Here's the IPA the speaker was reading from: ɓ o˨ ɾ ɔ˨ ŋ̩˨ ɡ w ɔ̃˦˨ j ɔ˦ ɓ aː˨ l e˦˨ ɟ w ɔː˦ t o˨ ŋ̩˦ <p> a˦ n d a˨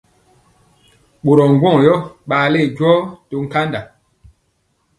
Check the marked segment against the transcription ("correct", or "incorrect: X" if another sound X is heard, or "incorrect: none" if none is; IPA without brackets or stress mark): incorrect: k